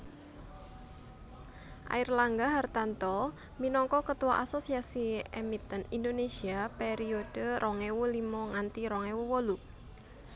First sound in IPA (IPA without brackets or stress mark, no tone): ʔ